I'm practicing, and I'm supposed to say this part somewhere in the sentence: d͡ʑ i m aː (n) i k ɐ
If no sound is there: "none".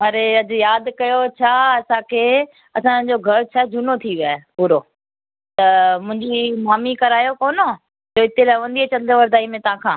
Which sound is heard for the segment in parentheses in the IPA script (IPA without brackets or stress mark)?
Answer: m